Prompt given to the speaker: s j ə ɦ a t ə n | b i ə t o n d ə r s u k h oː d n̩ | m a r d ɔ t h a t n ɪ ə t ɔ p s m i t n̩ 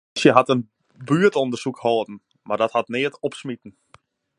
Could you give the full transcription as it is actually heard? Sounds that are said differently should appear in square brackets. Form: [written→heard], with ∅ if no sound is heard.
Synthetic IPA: s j ə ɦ a t ə n | b [i→y] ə t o n d ə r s u k h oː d n̩ | m a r d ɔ t h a t n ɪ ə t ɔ p s m i t n̩